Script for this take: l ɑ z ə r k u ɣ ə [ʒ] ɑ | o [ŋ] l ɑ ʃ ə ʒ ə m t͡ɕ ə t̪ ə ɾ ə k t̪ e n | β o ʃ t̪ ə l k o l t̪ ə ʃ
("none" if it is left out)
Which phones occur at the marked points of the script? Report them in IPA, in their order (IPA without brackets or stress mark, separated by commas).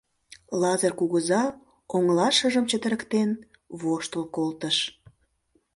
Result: z, ŋ